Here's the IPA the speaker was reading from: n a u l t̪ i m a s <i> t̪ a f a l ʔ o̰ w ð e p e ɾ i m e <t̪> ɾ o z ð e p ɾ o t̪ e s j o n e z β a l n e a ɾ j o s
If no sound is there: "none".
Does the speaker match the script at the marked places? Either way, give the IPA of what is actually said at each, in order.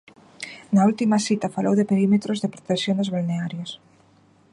i, t̪

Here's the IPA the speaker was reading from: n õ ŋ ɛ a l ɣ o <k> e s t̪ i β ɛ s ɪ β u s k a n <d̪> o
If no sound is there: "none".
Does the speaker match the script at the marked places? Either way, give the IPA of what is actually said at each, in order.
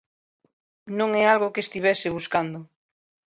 k, d̪

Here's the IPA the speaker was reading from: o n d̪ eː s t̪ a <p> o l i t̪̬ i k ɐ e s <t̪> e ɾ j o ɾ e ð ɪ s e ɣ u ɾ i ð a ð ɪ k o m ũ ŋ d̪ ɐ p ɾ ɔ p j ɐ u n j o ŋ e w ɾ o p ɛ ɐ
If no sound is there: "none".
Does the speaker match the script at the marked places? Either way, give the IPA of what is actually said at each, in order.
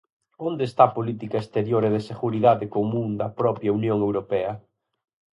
p, t̪

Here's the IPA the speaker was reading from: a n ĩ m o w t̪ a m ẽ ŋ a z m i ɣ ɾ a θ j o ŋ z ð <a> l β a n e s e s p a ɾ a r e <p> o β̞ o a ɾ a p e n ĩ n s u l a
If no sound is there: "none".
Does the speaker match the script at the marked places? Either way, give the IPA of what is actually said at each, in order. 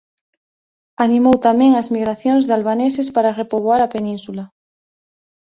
a, p

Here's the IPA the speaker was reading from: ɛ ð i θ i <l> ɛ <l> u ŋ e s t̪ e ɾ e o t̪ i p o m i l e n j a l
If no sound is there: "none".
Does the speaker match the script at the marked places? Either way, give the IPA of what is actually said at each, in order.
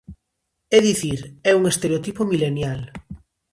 ɾ, none

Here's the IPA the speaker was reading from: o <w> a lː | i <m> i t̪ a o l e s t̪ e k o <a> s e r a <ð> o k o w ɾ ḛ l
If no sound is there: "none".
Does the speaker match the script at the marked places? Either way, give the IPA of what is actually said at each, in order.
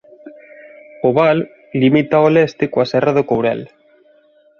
β, m, a, ð

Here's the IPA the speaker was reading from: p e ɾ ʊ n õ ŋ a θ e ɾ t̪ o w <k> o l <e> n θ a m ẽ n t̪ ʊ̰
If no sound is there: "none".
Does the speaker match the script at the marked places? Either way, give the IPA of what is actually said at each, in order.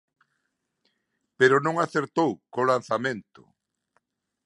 k, a

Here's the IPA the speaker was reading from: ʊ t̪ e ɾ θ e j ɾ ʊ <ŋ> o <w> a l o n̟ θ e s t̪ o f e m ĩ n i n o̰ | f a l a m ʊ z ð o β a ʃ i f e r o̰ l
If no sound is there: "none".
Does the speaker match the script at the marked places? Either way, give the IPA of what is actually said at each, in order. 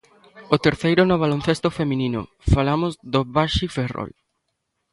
n, β

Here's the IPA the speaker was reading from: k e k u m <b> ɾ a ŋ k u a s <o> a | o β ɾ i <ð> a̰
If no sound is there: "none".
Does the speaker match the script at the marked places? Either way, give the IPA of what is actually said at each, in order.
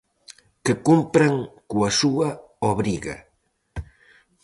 p, u, ɣ

